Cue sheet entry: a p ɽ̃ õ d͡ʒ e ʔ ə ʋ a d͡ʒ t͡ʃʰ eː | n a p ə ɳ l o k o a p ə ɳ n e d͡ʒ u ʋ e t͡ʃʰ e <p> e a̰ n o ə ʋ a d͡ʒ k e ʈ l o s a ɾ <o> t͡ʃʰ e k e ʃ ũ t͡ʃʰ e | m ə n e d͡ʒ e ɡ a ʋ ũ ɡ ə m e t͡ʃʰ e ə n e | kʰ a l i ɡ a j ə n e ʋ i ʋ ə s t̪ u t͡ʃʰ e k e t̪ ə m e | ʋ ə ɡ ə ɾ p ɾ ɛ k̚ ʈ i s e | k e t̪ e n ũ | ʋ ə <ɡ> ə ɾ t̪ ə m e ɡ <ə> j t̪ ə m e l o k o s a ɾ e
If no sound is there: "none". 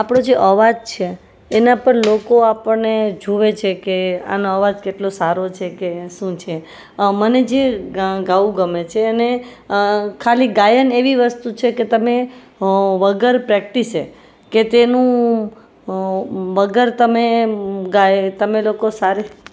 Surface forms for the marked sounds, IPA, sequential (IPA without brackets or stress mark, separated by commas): k, o, ɡ, a